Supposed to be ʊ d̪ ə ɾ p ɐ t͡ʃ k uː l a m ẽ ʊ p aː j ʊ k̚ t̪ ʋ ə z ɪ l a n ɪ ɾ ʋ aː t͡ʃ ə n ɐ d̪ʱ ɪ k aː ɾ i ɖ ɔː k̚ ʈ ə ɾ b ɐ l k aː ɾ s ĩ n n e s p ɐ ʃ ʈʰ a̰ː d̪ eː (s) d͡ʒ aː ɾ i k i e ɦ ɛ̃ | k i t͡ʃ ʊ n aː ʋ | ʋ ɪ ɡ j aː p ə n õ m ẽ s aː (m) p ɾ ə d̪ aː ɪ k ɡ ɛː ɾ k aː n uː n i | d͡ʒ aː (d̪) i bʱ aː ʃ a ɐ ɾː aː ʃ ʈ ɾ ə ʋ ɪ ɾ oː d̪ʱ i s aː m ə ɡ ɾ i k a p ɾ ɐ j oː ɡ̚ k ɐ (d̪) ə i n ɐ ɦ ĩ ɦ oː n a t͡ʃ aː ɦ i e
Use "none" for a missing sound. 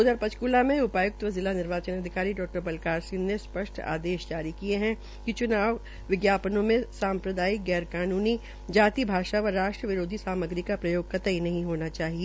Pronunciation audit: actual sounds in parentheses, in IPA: ʃ, m, t̪, t̪

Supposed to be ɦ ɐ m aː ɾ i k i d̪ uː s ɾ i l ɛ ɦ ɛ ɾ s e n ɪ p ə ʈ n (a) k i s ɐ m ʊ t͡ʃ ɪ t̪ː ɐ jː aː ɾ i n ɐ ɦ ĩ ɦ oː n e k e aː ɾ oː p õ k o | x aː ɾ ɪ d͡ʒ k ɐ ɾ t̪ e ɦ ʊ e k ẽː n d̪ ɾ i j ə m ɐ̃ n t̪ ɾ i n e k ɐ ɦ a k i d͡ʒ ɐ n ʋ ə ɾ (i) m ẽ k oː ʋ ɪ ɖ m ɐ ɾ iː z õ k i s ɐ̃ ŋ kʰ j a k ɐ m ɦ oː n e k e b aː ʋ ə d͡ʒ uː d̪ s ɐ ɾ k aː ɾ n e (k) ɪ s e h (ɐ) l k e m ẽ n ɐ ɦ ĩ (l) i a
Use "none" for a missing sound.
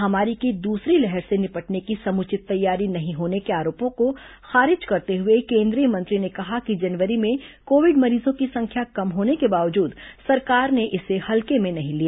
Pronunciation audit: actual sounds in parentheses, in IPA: e, i, ʔ, ɐ, l

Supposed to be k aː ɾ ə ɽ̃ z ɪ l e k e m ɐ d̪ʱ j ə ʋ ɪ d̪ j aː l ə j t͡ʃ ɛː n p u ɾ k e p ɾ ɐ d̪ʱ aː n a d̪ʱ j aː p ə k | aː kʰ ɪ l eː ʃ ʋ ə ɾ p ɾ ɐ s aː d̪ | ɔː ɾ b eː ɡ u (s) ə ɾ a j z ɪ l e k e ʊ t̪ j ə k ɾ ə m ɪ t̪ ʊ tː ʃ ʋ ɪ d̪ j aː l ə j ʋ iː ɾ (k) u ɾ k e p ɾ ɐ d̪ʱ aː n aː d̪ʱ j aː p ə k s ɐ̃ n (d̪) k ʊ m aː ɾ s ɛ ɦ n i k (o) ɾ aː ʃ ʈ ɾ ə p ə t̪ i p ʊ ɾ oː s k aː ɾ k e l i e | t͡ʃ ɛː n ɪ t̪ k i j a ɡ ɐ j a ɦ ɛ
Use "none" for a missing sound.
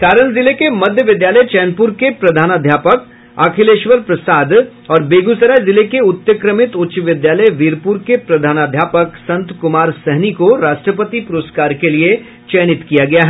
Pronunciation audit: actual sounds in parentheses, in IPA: s, p, t̪, o

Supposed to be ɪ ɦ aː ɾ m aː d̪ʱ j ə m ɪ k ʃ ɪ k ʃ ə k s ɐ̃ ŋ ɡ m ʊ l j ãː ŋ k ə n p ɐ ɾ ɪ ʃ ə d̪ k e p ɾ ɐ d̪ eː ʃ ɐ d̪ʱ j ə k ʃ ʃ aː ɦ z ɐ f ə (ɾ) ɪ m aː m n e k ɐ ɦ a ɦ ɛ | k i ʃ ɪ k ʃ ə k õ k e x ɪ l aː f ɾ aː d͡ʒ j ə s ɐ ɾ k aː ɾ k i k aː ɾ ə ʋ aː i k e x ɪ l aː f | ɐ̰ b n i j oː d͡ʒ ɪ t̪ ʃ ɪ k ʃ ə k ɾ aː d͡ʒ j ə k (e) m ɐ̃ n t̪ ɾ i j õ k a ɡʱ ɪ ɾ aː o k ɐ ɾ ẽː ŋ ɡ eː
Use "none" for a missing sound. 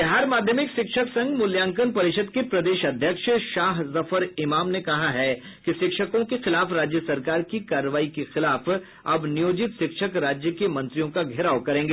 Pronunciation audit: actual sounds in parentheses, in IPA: ɾ, e

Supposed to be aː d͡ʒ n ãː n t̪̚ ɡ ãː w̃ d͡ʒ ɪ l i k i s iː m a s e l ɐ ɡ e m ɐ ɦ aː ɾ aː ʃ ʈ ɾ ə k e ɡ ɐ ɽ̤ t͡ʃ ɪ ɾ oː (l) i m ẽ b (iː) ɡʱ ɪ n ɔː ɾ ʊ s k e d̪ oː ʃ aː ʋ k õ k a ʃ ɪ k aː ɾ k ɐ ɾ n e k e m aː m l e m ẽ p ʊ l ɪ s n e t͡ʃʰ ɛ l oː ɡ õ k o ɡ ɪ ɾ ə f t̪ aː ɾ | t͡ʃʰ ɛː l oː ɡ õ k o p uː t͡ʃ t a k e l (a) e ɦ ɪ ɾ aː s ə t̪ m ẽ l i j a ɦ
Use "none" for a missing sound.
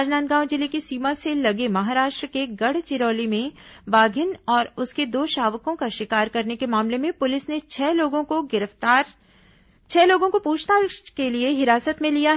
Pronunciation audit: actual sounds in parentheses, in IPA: l, aː, i

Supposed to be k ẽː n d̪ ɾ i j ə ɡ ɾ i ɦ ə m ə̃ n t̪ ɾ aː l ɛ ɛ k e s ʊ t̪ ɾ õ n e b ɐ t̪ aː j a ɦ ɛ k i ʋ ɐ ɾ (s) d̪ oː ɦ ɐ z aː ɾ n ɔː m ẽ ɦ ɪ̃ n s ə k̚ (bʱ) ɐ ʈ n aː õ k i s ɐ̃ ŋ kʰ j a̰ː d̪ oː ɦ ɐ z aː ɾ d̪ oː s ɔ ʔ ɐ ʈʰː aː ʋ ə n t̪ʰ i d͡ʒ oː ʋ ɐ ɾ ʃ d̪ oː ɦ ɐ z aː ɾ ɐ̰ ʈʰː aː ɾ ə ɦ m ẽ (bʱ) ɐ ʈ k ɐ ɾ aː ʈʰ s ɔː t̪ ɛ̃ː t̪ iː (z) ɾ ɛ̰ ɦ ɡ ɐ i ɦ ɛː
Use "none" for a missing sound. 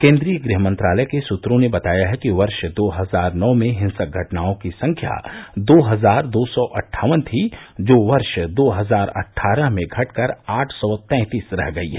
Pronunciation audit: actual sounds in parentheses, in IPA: ʃ, ɡʱ, ɡʱ, s

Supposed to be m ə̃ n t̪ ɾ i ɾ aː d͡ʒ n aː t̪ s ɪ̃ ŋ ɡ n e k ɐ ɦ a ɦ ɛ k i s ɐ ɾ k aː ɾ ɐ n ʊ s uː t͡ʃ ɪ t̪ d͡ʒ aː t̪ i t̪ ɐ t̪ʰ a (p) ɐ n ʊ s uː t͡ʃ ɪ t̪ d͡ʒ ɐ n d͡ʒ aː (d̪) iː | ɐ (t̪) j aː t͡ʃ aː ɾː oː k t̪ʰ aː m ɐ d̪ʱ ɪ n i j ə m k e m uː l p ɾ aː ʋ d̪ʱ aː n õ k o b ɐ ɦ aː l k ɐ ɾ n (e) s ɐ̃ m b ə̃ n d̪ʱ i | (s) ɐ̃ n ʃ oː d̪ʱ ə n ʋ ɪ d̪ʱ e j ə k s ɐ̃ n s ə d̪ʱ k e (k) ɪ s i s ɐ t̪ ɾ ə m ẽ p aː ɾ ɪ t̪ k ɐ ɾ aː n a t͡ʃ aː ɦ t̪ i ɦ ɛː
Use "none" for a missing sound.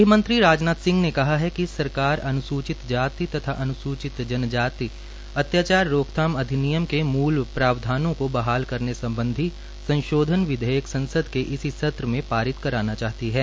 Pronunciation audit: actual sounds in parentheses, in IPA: ʔ, t̪, t̪, e, s, ʔ

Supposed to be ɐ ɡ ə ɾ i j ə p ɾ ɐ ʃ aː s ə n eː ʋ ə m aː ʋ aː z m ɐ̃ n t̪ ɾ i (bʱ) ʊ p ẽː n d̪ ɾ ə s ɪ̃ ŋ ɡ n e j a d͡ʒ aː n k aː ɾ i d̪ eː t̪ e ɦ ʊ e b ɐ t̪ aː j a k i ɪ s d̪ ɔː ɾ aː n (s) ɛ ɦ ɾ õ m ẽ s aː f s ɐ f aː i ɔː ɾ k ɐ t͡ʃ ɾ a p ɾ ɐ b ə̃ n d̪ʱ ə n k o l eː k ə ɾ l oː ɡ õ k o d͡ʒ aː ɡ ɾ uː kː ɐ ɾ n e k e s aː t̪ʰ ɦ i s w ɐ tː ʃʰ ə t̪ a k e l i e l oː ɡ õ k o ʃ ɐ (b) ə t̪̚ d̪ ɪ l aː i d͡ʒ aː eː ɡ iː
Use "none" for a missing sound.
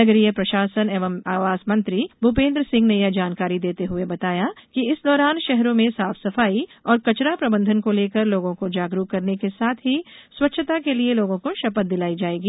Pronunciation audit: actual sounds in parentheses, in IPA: bʱ, ʃ, p

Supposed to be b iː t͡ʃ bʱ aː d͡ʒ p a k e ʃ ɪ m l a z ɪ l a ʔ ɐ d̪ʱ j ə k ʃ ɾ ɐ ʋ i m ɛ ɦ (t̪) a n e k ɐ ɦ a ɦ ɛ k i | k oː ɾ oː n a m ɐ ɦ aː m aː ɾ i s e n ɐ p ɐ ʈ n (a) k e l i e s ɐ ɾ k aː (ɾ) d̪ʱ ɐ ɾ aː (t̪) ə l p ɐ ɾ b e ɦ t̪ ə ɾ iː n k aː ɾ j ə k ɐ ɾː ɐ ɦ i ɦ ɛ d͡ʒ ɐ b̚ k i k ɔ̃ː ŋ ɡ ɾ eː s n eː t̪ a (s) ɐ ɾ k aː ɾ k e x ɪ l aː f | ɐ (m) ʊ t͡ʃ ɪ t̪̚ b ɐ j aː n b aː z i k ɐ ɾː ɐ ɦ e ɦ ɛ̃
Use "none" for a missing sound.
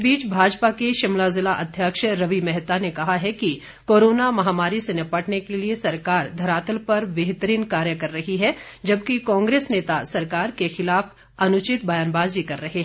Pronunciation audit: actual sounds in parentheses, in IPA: t̪, e, ɾ, t̪, s, n

